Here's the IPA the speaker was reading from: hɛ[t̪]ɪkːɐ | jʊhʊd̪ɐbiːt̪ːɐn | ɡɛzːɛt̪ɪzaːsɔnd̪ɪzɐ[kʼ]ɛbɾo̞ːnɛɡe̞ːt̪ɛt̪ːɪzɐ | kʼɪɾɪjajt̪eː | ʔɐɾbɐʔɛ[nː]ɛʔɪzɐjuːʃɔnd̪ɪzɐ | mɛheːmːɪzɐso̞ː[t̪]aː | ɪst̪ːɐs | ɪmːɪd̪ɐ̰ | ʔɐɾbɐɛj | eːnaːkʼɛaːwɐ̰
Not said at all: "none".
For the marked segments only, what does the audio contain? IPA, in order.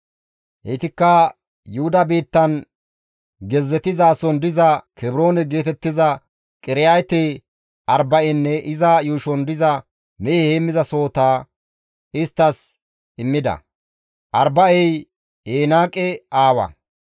t̪, k, nː, t̪

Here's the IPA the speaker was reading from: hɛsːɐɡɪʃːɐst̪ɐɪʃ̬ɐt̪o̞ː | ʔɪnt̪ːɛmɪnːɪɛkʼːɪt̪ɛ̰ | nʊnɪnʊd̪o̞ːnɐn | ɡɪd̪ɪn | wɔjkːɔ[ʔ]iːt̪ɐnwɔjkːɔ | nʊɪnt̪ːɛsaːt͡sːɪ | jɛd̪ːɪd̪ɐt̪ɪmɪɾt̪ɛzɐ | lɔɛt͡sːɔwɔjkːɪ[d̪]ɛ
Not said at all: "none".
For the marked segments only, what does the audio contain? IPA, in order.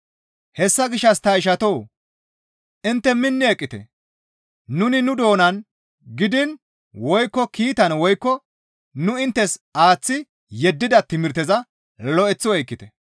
k, t̪

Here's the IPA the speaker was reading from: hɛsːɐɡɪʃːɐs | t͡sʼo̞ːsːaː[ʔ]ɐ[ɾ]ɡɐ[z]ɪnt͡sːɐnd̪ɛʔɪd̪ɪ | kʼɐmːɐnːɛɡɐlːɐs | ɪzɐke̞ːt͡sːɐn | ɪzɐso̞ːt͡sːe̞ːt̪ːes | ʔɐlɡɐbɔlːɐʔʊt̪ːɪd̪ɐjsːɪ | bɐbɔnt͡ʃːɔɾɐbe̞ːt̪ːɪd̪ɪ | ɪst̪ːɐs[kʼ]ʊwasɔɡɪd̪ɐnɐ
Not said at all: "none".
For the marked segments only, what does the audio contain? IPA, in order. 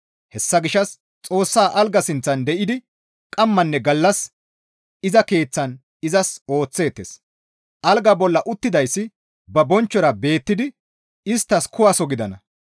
ʔ, l, s, k

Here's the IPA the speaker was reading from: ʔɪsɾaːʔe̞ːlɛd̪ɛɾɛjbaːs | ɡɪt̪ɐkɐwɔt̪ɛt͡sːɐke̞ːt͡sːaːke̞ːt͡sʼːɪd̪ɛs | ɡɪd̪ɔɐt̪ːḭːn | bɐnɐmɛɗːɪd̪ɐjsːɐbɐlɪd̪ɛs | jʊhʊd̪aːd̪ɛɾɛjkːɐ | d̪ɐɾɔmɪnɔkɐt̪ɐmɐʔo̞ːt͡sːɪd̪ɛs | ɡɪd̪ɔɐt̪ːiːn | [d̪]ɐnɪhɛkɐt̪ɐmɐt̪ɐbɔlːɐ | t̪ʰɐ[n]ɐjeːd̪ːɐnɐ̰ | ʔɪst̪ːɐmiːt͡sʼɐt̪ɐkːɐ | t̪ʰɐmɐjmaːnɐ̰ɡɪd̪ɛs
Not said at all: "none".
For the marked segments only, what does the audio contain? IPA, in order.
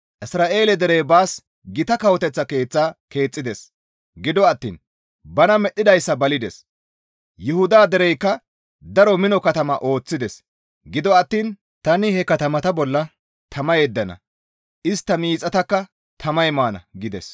t̪, m

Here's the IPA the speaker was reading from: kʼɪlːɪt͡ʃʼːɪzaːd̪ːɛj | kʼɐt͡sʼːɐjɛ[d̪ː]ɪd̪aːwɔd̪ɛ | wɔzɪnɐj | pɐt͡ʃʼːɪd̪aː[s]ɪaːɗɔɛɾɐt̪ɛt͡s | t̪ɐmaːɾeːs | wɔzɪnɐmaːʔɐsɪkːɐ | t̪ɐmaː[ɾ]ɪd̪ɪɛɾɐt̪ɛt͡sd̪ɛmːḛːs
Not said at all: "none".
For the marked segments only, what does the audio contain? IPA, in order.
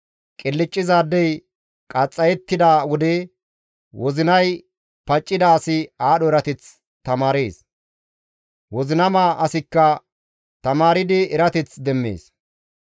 t̪ː, s, ɾ

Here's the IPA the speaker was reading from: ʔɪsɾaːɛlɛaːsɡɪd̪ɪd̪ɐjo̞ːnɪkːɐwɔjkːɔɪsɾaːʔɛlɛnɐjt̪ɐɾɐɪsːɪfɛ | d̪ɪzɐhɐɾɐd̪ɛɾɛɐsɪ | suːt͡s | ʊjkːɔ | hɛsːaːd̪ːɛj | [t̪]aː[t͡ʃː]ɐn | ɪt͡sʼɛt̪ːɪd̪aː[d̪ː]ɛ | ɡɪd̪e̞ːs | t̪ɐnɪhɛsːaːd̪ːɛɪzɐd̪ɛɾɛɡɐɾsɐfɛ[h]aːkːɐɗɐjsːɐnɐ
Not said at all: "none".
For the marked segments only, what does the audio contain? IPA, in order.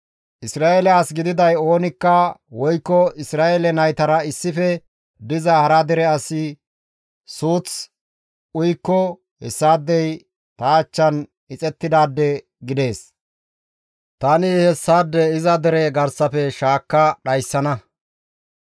t̪, t͡ʃː, d̪ː, ʃ

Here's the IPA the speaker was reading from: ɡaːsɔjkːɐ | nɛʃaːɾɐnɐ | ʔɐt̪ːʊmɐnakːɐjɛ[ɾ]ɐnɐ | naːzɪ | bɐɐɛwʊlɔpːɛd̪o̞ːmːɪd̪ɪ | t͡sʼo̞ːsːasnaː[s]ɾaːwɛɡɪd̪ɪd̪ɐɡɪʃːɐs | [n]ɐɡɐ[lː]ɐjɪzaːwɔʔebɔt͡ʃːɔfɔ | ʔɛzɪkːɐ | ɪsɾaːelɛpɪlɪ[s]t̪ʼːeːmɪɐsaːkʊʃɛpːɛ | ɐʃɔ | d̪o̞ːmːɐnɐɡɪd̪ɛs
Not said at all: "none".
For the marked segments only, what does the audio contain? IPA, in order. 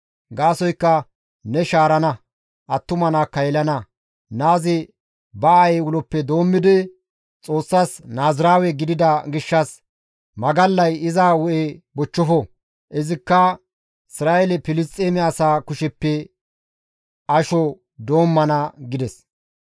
l, z, m, lː, s

